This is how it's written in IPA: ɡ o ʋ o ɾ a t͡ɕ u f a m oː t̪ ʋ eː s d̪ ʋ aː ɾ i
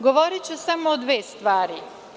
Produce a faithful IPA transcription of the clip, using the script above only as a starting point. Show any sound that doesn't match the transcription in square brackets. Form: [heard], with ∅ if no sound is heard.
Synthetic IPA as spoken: ɡ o ʋ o ɾ [i] t͡ɕ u [s] a m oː [d̪] ʋ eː s [t̪] ʋ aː ɾ i